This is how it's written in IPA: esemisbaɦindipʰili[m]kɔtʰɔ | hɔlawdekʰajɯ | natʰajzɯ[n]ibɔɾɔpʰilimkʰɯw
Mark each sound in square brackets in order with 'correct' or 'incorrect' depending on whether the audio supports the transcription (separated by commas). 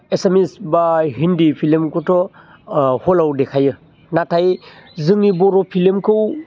correct, incorrect